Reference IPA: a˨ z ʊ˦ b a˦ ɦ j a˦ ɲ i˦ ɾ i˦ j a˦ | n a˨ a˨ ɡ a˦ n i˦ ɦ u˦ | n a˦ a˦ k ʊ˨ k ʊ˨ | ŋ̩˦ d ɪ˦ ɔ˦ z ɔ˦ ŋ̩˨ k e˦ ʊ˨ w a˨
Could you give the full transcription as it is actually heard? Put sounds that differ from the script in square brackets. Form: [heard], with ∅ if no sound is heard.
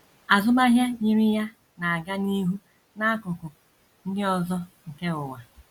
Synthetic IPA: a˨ z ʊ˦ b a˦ ɦ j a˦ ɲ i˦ ɾ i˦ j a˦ | n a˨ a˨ ɡ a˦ n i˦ ɦ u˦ | n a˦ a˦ k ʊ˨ k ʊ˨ | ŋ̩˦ d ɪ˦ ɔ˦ z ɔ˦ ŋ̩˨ k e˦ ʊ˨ w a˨